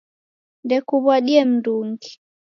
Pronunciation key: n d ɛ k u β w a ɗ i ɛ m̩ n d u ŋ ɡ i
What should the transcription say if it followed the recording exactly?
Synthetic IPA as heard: n d ɛ k u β w a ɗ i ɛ m̩ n d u ŋ ɡ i